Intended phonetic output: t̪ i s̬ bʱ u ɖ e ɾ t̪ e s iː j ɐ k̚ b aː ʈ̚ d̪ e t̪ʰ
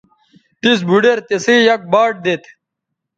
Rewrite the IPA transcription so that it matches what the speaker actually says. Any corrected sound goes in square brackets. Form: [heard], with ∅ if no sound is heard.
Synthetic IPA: t̪ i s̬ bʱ u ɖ e ɾ t̪ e s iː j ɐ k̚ b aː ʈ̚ d̪ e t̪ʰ